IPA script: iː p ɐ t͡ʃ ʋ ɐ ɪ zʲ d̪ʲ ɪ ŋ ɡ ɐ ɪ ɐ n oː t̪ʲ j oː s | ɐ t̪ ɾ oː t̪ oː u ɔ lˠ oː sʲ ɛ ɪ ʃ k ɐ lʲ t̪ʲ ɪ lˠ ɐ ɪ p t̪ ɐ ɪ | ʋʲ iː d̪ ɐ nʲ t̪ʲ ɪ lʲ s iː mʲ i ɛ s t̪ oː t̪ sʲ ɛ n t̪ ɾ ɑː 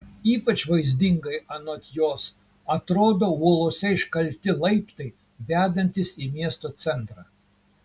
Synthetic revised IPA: iː p ɐ t͡ʃ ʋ ɐ ɪ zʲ d̪ʲ ɪ ŋ ɡ ɐ ɪ ɐ n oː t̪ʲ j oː s | ɐ t̪ ɾ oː d̪ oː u ɔ lˠ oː sʲ ɛ ɪ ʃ k ɐ lʲ t̪ʲ ɪ lˠ ɐ ɪ p t̪ ɐ ɪ | ʋʲ æː d̪ ɐ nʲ t̪ʲ ɪ s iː mʲ i ɛ s t̪ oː t̪ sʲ ɛ n t̪ ɾ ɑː